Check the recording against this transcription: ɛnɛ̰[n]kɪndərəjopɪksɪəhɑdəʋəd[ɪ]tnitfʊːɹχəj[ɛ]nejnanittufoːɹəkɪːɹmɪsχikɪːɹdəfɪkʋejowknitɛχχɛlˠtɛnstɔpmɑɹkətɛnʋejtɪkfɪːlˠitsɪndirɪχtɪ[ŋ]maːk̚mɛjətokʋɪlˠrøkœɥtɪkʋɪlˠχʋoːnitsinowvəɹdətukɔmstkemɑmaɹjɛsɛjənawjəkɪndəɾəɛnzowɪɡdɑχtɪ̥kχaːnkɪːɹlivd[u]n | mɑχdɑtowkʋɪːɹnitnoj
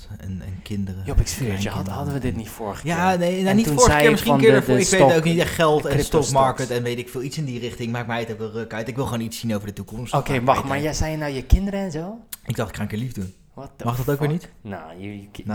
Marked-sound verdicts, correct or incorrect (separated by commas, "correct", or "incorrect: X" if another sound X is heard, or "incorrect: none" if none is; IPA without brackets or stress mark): correct, correct, incorrect: a, correct, correct